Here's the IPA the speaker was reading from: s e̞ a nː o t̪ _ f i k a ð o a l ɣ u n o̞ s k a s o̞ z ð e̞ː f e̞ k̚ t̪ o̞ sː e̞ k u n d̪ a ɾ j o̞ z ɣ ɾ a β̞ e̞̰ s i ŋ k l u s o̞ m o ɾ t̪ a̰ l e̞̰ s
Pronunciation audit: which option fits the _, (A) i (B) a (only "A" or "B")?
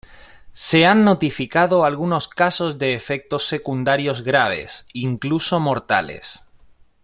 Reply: A